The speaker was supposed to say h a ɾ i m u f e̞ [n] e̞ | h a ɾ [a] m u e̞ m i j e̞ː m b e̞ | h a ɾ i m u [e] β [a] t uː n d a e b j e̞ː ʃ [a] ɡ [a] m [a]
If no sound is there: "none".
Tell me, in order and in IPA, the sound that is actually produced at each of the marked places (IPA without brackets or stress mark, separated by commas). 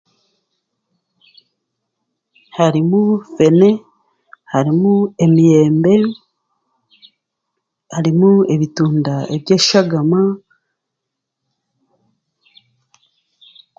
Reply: n, i, e, i, a, a, a